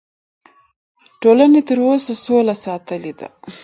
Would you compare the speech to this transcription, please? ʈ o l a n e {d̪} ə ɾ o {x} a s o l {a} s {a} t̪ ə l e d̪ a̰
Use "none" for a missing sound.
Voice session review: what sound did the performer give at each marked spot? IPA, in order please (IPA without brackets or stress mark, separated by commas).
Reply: t̪, s, a, ɑ